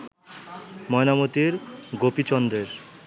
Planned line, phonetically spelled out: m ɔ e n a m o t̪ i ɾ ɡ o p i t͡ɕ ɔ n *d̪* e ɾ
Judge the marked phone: correct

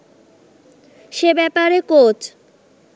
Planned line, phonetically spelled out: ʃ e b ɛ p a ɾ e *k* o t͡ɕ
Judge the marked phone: correct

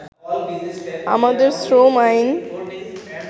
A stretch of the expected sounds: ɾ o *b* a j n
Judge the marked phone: incorrect: m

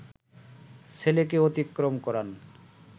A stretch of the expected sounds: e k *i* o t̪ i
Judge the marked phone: incorrect: e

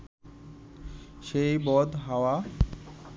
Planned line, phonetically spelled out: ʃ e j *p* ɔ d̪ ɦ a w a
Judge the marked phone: incorrect: b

